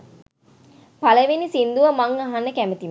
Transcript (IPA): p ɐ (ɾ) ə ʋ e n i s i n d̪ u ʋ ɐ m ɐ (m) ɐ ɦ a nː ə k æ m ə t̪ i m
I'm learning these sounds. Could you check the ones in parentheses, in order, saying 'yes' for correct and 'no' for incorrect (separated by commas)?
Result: no, no